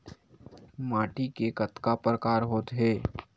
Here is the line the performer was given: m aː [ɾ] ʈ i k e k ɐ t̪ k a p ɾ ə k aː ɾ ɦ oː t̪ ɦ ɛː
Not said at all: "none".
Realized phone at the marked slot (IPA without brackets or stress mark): none